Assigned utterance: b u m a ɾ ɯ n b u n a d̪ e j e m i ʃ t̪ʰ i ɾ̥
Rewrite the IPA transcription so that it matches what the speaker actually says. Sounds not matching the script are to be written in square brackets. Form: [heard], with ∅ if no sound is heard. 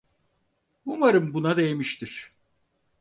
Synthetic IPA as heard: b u m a ɾ ɯ [m] b u n a d̪ e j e m i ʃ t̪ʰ i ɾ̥